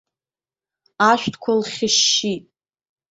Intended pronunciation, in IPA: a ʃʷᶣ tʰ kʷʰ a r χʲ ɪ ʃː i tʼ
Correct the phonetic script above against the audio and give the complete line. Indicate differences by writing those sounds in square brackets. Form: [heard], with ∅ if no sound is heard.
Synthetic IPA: a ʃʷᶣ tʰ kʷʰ a [l] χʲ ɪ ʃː i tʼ